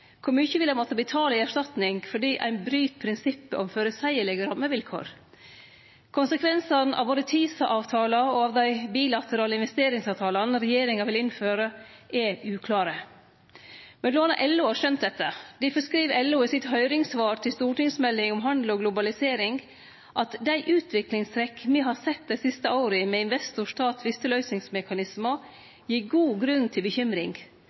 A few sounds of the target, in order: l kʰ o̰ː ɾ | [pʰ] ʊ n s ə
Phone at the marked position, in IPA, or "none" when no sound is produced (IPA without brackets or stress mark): kʰ